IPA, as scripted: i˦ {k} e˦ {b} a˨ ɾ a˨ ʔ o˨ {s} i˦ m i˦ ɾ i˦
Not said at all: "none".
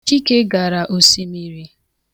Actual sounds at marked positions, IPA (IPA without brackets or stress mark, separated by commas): k, ɡ, s